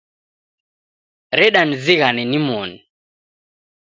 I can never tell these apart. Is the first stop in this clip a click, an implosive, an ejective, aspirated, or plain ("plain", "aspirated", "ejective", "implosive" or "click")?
implosive